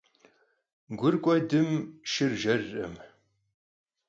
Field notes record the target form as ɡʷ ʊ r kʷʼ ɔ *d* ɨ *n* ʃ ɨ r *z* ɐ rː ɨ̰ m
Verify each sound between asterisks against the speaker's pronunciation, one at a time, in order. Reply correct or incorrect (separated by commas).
correct, incorrect, incorrect